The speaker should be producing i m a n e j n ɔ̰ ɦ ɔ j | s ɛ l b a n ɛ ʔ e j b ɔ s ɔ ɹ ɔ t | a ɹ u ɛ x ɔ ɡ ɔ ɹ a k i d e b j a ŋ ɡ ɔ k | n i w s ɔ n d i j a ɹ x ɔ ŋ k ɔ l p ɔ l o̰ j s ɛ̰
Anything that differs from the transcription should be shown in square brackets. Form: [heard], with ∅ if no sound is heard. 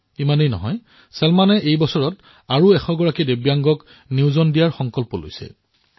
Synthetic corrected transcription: i m a n e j n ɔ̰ ɦ ɔ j | s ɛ l [m] a n ɛ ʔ e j b ɔ s ɔ ɹ ɔ t | a ɹ u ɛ x ɔ ɡ ɔ ɹ a k i d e b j a ŋ ɡ ɔ k | n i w [z] ɔ n d i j a ɹ x ɔ ŋ k ɔ l p ɔ l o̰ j s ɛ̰